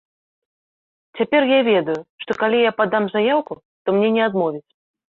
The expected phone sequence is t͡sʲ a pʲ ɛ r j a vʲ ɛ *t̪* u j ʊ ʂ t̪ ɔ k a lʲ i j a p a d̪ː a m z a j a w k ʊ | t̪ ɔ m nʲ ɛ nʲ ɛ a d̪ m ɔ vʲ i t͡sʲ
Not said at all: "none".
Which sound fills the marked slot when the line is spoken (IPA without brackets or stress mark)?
d̪